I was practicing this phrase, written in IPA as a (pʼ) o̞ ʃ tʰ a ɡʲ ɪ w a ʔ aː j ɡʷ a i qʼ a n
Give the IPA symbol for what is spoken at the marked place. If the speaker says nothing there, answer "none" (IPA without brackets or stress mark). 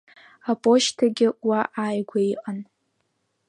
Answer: pʼ